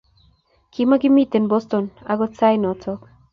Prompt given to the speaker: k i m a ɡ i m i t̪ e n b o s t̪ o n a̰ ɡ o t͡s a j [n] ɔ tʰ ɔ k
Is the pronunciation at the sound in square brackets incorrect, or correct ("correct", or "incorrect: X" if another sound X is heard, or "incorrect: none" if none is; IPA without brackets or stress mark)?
correct